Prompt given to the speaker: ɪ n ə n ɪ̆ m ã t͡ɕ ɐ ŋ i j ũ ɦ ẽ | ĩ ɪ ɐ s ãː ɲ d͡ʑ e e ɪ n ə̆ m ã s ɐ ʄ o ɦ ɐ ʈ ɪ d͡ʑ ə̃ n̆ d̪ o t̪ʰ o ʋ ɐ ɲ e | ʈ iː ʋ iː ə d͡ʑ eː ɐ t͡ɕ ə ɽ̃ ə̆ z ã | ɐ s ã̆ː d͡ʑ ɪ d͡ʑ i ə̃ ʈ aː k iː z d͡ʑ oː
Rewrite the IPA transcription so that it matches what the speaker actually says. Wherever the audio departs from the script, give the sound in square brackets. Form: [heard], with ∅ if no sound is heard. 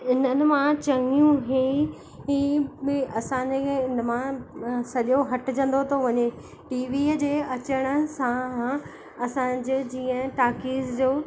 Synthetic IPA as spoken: ɪ n ə n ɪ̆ m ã t͡ɕ ɐ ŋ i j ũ ɦ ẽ | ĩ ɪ ɐ s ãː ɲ d͡ʑ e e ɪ n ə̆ m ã s ɐ ʄ o ɦ ɐ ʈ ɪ d͡ʑ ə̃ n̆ d̪ o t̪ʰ o ʋ ɐ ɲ e | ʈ iː ʋ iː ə d͡ʑ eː ɐ t͡ɕ ə ɽ̃ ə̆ [s] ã | ɐ s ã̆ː d͡ʑ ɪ d͡ʑ [iː] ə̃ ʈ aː k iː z d͡ʑ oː